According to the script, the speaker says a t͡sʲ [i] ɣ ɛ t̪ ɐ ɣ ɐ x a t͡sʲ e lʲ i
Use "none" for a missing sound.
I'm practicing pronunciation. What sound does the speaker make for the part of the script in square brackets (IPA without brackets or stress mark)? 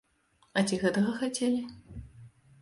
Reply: i